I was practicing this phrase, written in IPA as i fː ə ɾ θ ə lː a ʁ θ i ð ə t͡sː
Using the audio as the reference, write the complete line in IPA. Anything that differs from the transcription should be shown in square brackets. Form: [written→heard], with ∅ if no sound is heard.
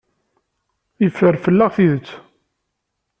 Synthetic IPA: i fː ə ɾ [θ→f] ə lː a ʁ θ i ð ə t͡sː